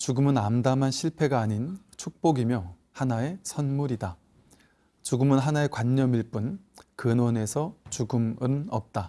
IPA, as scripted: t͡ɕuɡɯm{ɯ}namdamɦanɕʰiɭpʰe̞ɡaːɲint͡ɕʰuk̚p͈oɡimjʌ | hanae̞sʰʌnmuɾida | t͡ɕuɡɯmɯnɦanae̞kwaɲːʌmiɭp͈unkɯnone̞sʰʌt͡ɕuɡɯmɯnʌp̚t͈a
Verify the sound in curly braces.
correct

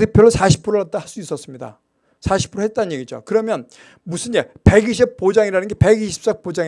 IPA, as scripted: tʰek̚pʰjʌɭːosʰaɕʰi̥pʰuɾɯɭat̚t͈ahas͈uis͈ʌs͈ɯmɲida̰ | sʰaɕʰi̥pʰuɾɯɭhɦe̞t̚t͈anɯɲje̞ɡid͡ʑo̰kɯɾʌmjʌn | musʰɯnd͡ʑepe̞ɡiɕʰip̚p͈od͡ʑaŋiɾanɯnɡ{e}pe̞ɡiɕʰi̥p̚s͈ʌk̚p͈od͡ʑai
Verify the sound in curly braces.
correct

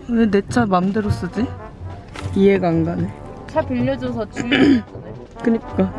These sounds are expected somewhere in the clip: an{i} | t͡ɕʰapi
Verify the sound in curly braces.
incorrect: e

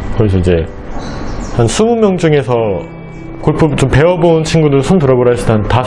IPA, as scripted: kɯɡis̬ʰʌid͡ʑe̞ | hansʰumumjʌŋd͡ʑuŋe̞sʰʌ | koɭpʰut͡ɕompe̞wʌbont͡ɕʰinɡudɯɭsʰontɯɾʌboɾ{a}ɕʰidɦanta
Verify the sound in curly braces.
correct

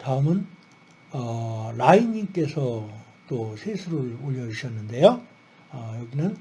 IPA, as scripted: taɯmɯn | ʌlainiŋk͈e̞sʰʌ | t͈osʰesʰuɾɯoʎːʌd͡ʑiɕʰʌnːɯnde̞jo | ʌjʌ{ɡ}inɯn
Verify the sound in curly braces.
correct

